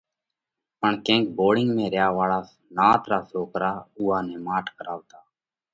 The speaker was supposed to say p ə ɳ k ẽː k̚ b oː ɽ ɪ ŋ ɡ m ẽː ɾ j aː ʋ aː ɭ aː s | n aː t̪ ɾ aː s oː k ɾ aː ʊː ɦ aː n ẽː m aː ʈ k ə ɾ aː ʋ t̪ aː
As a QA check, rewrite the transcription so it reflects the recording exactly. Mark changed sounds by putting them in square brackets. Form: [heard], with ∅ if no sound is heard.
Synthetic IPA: p ə ɳ k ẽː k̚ b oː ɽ ɪ ŋ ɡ m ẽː ɾ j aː ʋ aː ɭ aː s | n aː t̪ ɾ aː s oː k ɾ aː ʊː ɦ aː n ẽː m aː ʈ k ə ɾ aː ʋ t̪ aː